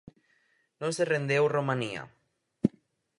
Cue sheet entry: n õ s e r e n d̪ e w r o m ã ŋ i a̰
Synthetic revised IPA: n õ s e r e n d̪ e w r o m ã n i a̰